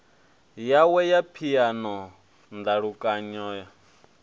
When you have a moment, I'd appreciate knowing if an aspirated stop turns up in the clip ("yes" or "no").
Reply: yes